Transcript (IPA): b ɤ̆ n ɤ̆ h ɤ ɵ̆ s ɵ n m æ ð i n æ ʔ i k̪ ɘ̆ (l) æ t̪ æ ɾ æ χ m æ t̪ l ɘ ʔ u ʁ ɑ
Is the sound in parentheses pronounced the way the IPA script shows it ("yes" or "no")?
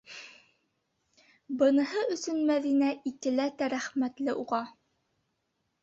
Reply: yes